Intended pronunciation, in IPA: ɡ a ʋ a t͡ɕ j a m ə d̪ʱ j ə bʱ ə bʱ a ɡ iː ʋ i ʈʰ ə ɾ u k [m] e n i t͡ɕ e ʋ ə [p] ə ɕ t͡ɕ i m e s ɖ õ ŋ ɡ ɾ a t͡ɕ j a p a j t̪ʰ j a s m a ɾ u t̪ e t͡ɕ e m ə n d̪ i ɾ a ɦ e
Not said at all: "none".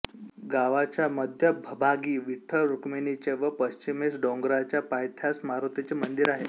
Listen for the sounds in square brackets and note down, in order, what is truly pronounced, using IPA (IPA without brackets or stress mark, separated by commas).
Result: m, p